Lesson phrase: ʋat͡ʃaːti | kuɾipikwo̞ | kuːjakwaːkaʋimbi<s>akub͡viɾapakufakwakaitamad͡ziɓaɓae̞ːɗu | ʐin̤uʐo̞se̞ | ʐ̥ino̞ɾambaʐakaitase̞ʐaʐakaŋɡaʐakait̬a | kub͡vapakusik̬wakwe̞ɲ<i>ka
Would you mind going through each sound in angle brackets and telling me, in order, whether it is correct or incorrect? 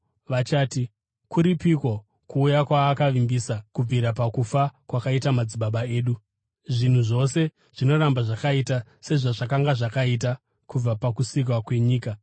correct, incorrect: iː

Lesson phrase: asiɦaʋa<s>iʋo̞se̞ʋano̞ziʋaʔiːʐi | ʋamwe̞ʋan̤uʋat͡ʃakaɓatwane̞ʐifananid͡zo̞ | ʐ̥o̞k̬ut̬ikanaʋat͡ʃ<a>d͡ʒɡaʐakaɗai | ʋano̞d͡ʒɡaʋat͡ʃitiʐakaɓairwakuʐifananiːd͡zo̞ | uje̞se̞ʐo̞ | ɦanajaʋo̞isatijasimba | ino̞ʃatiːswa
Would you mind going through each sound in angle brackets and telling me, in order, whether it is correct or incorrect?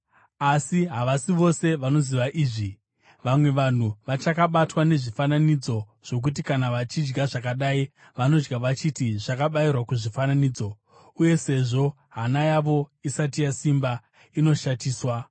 correct, incorrect: i

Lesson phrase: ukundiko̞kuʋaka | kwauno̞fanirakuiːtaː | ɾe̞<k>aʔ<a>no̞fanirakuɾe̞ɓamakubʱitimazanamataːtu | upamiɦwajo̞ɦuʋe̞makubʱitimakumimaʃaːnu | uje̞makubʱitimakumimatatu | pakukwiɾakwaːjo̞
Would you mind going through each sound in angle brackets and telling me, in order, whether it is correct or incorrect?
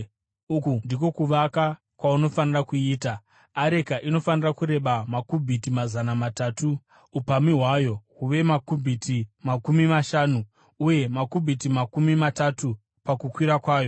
correct, incorrect: i

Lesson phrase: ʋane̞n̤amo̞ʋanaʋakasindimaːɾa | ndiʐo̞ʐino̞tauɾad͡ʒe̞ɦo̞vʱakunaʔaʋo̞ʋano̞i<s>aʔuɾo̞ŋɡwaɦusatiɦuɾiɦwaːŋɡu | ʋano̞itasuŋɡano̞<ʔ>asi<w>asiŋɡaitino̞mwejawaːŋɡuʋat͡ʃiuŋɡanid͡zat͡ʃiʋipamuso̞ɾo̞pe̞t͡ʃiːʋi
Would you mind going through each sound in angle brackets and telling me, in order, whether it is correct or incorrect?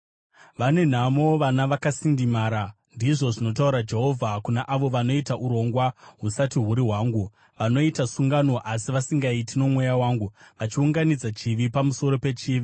incorrect: t, correct, incorrect: ʋ

